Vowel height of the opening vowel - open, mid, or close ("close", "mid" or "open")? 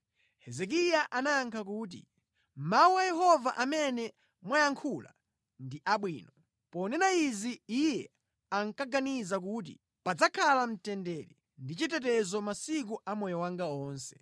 mid